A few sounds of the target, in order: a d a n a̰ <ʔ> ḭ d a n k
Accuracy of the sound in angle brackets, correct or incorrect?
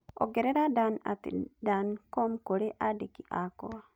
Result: incorrect